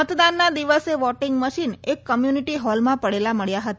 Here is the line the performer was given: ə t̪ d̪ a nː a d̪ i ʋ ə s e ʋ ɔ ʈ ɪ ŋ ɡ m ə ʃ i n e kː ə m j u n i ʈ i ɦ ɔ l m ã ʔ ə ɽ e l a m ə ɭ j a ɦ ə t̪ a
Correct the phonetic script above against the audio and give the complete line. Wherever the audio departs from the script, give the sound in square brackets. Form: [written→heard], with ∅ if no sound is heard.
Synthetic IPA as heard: ə t̪ d̪ a nː a d̪ i ʋ ə s e ʋ ɔ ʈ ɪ ŋ ɡ m ə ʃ i n e kː ə m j u n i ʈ i ɦ ɔ l m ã [ʔ→p] ə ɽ e l a m ə ɭ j a ɦ ə t̪ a